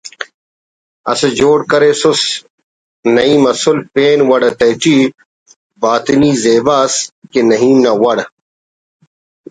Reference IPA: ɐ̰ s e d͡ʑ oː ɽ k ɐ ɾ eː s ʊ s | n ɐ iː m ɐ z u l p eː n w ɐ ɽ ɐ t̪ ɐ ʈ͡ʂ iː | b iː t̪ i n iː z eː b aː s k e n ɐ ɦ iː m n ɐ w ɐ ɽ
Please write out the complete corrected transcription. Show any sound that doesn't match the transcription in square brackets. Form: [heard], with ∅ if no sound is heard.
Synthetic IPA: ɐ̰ s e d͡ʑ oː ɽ k ɐ ɾ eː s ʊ s | n ɐ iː m ɐ [s] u l p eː n w ɐ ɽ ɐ t̪ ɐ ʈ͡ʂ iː | b [aː] t̪ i n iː z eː b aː s k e n ɐ ɦ iː m n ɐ w ɐ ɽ